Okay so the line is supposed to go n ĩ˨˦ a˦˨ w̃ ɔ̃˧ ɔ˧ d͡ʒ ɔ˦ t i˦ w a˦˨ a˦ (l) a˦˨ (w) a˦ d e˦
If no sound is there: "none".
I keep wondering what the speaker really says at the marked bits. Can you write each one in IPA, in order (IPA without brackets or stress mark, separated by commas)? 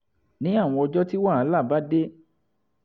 l, b